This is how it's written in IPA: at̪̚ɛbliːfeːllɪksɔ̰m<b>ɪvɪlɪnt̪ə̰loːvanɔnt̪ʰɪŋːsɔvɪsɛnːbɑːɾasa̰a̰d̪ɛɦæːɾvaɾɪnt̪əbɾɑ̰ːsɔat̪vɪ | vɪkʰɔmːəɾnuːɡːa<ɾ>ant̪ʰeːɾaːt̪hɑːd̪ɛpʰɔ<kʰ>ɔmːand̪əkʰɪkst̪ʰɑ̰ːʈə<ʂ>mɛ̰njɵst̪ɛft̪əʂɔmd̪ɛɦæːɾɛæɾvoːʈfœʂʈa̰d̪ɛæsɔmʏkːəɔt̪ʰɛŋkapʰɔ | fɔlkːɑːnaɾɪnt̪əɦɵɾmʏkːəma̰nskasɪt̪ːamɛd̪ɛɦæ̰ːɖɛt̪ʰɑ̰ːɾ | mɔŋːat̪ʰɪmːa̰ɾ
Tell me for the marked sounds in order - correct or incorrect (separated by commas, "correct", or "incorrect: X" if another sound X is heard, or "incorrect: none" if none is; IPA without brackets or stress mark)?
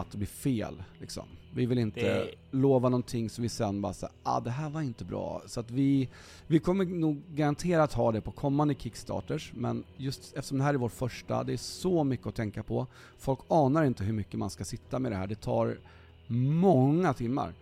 incorrect: v, correct, correct, correct